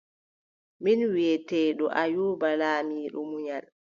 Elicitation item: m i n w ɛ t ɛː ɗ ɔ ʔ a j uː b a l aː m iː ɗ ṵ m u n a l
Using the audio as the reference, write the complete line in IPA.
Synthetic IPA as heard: m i n w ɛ t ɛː ɗ ɔ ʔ a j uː b a l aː m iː ɗ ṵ m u ɲ a l